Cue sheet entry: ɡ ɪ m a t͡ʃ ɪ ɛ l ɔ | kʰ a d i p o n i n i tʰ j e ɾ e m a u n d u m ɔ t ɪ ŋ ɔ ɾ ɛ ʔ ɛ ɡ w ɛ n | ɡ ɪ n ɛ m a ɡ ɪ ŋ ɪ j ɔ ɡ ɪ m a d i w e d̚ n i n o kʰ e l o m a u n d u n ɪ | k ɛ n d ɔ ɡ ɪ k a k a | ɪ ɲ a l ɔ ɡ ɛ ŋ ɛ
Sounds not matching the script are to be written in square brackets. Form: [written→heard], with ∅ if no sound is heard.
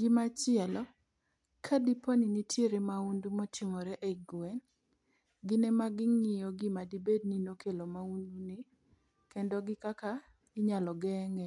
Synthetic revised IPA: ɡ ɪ m a t͡ʃ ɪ ɛ l ɔ | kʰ a d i p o n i n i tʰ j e ɾ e m a u n d u m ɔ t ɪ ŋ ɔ ɾ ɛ ʔ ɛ ɡ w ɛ n | ɡ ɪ n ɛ m a ɡ ɪ ŋ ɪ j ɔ ɡ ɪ m a d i [w→b] e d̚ n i n o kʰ e l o m a u n d u n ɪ | k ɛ n d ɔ ɡ ɪ k a k a | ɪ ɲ a l ɔ ɡ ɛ ŋ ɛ